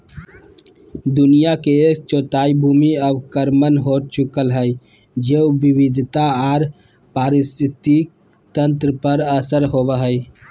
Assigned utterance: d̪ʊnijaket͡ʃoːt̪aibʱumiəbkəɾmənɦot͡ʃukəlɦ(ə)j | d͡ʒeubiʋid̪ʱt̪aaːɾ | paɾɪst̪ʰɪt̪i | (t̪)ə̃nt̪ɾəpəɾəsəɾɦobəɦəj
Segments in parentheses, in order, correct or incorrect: correct, correct

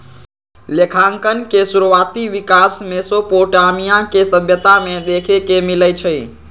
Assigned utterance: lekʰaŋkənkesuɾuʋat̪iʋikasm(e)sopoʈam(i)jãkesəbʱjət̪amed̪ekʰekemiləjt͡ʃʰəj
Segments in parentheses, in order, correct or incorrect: correct, correct

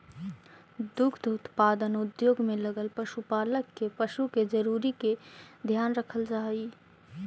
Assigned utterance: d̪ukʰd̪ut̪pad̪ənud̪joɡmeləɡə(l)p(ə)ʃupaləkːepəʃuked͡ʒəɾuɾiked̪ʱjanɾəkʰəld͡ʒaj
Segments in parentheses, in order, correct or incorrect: correct, correct

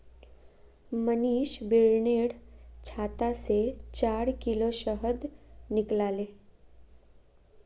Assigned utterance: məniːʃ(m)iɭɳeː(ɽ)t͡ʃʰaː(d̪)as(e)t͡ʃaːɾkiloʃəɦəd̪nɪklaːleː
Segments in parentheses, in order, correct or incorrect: incorrect, correct, incorrect, correct

